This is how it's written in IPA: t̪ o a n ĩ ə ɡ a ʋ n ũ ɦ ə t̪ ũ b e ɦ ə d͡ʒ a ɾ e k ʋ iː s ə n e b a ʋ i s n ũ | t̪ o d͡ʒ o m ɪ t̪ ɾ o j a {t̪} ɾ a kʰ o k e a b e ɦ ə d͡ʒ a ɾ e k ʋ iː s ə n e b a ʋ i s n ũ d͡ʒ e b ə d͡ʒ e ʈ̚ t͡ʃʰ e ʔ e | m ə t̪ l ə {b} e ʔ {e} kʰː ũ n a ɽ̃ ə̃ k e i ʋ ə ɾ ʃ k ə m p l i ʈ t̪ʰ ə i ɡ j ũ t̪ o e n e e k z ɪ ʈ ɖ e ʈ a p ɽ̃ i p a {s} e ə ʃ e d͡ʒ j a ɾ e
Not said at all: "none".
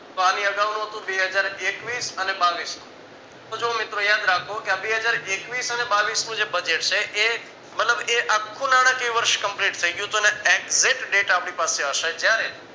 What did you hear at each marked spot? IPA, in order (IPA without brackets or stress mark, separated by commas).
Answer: d̪, b, a, s